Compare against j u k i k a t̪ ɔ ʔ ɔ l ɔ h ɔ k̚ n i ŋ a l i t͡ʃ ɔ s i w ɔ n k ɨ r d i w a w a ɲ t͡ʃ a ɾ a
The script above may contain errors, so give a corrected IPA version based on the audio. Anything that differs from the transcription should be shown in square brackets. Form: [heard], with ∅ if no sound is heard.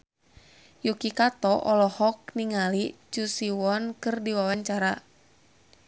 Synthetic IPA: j u k i k a t̪ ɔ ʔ ɔ l ɔ h ɔ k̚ n i ŋ a l i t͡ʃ [u] s i w ɔ n k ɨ r d i w a w a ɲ t͡ʃ a ɾ a